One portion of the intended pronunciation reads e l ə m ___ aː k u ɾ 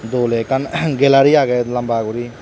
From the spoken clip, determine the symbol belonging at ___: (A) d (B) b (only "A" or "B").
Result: B